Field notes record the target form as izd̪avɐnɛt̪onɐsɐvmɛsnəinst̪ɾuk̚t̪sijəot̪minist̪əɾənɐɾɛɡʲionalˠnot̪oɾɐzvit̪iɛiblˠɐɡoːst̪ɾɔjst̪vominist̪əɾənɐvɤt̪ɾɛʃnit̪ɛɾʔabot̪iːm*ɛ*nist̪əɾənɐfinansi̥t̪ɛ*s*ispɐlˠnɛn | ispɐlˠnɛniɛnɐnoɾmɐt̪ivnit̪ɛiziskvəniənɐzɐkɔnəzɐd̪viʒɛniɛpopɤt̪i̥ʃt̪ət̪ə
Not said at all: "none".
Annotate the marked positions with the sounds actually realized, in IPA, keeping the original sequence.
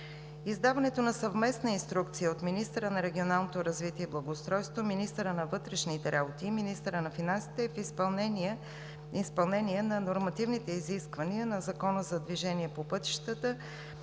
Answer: i, f

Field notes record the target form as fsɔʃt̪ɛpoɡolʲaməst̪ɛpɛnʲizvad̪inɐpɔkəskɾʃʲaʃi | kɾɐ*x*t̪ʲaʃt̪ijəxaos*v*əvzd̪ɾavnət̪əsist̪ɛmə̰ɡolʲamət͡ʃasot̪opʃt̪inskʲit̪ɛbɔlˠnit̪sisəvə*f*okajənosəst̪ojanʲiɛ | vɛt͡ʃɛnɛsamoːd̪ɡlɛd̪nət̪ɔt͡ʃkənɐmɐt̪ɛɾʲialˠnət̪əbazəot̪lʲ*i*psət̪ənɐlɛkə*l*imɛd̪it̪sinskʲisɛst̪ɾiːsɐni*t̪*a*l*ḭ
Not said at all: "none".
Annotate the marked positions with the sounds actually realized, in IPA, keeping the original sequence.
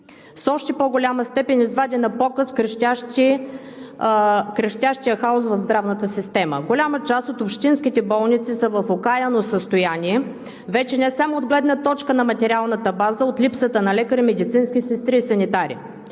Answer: ʃ, v, f, i, ɾ, t̪, ɾ

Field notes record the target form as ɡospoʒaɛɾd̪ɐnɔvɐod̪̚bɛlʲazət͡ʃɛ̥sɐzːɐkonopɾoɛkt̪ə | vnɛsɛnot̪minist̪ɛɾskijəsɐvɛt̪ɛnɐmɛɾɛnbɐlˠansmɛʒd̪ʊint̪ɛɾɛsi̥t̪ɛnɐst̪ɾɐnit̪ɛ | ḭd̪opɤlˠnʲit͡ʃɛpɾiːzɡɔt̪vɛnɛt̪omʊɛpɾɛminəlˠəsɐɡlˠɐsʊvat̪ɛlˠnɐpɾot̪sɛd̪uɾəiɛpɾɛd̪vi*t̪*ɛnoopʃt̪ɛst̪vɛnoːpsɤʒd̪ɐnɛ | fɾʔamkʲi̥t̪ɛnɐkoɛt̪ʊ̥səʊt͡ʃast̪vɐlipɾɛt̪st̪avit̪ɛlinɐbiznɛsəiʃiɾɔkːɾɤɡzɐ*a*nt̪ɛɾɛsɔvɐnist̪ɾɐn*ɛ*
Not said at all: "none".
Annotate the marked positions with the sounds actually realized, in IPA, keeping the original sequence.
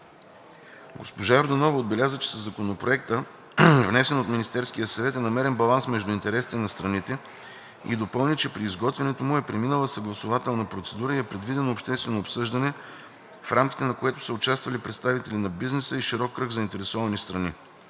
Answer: d̪, i, i

